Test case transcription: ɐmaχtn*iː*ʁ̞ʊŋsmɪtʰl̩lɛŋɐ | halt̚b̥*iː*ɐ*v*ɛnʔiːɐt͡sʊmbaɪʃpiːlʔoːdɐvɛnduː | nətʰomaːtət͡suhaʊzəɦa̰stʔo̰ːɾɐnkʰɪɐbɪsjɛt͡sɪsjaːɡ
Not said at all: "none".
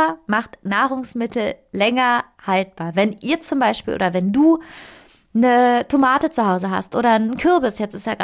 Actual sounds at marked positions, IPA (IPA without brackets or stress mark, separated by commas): aː, aː, v